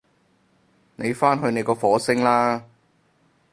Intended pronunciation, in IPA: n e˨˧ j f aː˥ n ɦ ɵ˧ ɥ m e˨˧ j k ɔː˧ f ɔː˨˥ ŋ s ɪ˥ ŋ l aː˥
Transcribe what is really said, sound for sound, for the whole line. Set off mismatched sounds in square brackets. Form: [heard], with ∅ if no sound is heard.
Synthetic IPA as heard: n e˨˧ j f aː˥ n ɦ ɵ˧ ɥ [n] e˨˧ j k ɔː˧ f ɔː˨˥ [∅] s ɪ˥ ŋ l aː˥